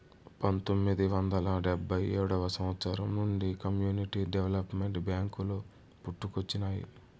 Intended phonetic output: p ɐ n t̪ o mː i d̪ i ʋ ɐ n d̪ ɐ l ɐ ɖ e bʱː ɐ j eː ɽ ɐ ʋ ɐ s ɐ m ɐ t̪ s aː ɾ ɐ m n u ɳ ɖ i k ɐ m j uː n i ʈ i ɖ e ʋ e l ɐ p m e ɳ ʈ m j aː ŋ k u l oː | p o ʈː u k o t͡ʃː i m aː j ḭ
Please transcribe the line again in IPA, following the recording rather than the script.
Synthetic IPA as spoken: p ɐ n t̪ o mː i d̪ i ʋ ɐ n d̪ ɐ l ɐ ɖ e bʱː ɐ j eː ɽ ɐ ʋ ɐ s ɐ m ɐ t̪ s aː ɾ ɐ m n u ɳ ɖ i k ɐ m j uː n i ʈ i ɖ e ʋ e l ɐ p m e ɳ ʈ b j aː ŋ k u l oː | p u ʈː u k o t͡ʃː i n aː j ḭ